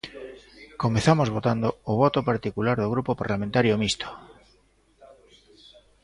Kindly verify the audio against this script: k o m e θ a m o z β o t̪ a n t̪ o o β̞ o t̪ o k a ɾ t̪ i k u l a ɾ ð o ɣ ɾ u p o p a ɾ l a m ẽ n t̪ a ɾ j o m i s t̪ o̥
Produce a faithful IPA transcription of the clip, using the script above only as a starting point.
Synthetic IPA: k o m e θ a m o z β o t̪ a n d̪ o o β̞ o t̪ o p a ɾ t̪ i k u l a ɾ ð o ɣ ɾ u p o p a ɾ l a m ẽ n t̪ a ɾ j o m i s t̪ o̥